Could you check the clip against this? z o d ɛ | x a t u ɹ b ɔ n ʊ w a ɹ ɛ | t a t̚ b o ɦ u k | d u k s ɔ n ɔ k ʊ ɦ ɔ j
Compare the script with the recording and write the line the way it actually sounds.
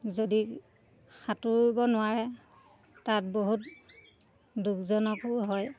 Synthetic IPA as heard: z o d i | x a t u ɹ b ɔ n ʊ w a ɹ ɛ | t a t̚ b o ɦ u t | d u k z ɔ n ɔ k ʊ ɦ ɔ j

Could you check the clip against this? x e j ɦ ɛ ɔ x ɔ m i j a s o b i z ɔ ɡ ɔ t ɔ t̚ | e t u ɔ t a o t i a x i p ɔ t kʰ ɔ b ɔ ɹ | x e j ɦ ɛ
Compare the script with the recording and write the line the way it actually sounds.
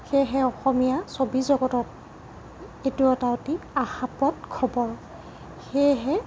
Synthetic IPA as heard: x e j ɦ ɛ ɔ x ɔ m i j a s o b i z ɔ ɡ ɔ t ɔ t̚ | e t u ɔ t a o t i a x a p ɔ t kʰ ɔ b ɔ ɹ | x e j ɦ ɛ

